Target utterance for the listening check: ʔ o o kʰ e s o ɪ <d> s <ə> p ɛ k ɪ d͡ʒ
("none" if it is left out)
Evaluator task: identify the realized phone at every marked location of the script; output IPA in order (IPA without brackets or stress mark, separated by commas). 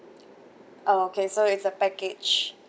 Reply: t, ə